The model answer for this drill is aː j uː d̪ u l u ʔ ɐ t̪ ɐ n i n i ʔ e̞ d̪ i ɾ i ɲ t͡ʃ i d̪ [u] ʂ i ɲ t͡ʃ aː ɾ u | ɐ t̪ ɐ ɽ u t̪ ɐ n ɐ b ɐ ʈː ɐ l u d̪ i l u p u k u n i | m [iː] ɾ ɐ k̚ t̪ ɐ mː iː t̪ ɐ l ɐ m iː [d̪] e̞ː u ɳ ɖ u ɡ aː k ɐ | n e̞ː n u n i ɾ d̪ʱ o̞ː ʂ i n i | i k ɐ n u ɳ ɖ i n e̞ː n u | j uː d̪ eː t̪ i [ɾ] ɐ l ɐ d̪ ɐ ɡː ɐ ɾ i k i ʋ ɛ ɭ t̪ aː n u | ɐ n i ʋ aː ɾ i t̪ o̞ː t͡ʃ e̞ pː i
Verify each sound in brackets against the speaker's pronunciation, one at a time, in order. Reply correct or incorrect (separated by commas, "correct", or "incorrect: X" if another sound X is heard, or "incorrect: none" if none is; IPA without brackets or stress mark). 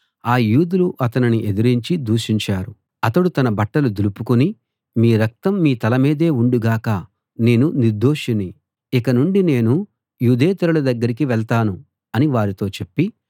incorrect: uː, correct, correct, correct